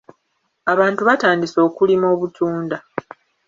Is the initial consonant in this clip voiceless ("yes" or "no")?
no